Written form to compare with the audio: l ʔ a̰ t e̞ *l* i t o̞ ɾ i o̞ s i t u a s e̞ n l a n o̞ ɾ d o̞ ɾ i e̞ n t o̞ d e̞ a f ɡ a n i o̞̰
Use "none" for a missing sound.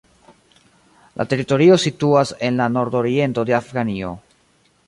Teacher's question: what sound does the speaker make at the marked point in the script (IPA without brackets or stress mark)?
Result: ɾ